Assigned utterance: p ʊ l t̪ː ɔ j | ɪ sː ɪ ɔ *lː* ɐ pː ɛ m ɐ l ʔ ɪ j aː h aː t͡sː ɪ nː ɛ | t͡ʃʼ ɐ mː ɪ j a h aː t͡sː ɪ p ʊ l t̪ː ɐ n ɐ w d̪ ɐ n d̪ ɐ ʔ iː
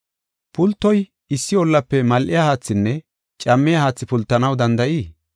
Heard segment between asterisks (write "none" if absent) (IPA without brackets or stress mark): lː